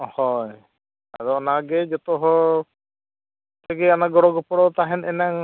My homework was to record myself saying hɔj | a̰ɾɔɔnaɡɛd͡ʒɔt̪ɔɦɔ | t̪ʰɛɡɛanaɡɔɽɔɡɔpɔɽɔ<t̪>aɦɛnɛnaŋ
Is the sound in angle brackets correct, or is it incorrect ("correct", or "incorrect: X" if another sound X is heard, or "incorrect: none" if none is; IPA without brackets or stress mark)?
correct